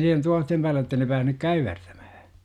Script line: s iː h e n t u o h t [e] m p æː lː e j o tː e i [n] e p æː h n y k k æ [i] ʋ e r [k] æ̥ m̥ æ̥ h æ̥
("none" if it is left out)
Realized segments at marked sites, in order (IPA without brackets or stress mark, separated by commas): e, n, y, t